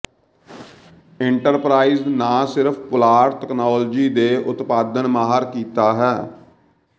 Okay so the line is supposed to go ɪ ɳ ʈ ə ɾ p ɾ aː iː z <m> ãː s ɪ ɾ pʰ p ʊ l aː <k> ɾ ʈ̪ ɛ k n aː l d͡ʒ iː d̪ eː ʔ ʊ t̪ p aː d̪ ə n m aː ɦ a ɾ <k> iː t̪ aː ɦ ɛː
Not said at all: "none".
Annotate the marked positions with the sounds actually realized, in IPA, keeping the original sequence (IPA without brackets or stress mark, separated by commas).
n, none, k